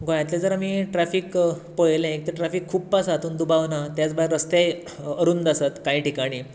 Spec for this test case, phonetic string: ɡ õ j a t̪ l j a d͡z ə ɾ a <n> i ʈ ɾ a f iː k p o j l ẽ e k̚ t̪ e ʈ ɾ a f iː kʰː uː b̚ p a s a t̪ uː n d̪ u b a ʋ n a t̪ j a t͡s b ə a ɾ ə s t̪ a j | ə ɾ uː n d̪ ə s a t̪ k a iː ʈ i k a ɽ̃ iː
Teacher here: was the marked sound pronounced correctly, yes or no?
no